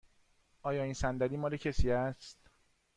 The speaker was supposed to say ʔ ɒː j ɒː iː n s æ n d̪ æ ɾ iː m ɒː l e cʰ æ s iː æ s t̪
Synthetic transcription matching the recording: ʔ ɒː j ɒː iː n s æ n d̪ æ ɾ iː m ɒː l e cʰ e s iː æ s t̪